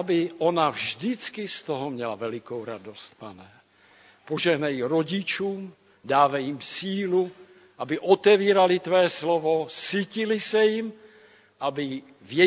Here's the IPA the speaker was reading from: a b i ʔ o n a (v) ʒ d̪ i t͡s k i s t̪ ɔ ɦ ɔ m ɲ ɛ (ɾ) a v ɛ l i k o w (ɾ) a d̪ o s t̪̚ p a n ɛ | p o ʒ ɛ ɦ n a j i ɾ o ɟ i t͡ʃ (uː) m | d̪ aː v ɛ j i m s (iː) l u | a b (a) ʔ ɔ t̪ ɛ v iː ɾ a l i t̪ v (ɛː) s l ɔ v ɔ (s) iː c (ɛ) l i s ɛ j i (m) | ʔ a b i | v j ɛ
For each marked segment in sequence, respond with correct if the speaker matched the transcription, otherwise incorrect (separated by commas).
correct, incorrect, correct, correct, correct, incorrect, correct, correct, incorrect, correct